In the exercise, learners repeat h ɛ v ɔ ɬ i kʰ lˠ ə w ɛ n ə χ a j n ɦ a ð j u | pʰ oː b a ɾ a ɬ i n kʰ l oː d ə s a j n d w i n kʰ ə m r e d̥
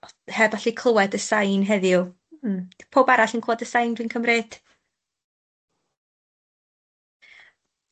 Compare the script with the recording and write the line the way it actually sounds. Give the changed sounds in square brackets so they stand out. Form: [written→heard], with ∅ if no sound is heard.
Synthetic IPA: h ɛ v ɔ ɬ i kʰ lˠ ə w ɛ [n→d] ə [χ→s] a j n ɦ [a→ɛ] ð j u | pʰ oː b a ɾ a ɬ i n kʰ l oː d ə s a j n d w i n kʰ ə m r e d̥